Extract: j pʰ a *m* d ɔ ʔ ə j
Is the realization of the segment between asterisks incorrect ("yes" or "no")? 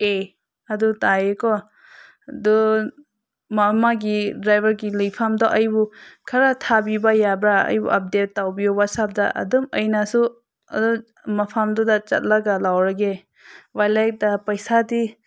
no